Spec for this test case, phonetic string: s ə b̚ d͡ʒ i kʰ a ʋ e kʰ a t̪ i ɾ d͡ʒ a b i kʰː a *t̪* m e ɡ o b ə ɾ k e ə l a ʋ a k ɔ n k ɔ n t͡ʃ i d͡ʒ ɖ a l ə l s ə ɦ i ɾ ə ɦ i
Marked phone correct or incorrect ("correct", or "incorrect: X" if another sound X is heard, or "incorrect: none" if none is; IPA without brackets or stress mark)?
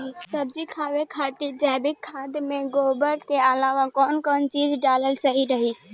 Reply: incorrect: d̪